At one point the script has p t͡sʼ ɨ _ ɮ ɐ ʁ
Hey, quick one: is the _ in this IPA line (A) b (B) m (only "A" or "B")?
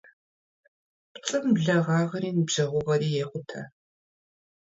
B